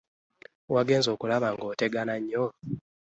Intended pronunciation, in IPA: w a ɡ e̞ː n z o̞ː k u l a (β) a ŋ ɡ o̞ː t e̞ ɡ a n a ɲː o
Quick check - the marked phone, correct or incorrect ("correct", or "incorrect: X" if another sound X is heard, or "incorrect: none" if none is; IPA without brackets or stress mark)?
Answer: correct